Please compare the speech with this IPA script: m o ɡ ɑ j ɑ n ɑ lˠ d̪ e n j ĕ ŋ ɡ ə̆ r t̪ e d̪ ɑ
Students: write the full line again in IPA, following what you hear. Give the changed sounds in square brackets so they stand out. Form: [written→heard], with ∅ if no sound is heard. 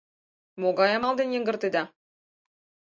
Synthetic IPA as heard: m o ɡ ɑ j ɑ [n→m] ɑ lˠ d̪ e n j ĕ ŋ ɡ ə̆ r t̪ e d̪ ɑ